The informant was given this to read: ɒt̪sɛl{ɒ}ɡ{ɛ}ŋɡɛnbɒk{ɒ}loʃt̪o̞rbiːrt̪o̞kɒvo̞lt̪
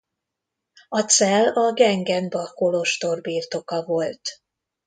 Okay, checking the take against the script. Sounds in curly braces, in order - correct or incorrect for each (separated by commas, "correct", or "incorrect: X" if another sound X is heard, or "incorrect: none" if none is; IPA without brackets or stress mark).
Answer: correct, correct, incorrect: o